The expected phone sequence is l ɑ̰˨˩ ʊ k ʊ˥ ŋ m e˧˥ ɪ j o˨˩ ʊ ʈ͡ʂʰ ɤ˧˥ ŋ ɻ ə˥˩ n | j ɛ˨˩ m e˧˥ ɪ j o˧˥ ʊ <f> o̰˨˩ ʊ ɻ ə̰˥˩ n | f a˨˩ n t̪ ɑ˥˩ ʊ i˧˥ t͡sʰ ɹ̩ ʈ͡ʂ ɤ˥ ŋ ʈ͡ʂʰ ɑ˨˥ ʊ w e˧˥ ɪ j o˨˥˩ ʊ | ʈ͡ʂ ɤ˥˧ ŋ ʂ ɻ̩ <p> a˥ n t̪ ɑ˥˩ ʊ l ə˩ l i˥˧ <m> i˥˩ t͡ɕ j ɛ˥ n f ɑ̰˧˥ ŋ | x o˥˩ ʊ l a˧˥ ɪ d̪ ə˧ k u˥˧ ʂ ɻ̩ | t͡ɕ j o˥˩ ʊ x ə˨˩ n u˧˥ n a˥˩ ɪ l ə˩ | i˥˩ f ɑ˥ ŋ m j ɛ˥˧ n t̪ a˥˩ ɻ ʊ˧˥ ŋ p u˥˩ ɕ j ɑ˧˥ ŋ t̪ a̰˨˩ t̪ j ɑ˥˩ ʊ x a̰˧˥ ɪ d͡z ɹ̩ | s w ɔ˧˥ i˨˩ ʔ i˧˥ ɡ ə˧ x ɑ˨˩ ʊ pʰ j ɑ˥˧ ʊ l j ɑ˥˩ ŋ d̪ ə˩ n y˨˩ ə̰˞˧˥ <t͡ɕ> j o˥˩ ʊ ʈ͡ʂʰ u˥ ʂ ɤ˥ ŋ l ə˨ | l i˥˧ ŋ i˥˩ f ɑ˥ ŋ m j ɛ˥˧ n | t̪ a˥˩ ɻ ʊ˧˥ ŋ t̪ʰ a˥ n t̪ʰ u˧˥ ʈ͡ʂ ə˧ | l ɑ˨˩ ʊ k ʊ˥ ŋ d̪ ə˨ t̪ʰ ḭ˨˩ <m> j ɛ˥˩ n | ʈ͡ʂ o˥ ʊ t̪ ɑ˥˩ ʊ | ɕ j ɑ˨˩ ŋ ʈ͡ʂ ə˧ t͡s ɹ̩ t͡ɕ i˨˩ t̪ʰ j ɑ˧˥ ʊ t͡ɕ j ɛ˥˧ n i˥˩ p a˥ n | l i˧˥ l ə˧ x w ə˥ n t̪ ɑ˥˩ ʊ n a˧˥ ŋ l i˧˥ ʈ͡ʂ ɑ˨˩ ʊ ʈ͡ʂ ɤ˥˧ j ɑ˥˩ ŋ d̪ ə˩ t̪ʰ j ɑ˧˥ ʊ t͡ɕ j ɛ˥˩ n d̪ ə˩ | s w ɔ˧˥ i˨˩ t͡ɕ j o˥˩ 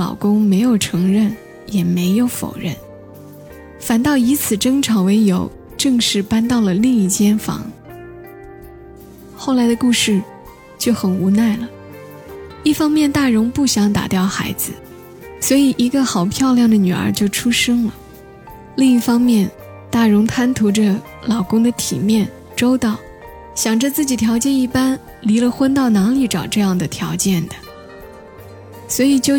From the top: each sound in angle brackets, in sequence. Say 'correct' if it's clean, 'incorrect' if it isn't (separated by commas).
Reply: correct, correct, incorrect, correct, correct